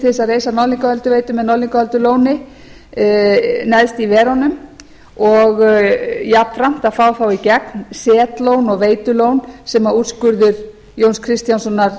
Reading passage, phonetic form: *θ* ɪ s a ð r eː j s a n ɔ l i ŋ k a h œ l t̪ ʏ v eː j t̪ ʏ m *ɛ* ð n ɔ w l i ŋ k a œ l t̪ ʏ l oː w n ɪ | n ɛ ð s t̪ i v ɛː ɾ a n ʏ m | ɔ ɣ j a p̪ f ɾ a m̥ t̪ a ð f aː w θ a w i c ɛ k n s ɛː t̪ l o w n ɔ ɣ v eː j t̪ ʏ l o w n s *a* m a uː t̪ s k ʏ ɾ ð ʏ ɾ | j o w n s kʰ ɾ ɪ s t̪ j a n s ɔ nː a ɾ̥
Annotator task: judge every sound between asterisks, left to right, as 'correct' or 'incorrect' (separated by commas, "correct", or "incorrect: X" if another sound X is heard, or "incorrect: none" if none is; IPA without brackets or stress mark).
correct, correct, incorrect: ɛ